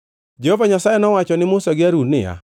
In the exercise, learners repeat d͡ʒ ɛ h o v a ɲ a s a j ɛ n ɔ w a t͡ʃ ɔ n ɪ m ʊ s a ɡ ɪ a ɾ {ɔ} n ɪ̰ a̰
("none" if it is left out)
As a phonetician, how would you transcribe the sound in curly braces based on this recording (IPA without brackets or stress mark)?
u